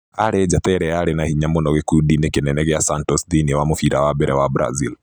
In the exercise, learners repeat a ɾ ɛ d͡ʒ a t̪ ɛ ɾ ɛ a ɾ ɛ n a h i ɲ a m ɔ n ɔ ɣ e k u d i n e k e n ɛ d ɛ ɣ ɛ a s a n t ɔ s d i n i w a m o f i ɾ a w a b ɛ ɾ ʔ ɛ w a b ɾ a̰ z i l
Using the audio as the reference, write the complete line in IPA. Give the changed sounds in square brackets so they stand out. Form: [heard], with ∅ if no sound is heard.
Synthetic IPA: a ɾ ɛ d͡ʒ a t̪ ɛ ɾ ɛ a ɾ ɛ n a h i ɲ a m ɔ n ɔ ɣ e k u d i n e k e n ɛ [n] ɛ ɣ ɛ a s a n t ɔ s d i n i w a m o f i ɾ a w a b ɛ ɾ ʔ ɛ w a b ɾ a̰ z i l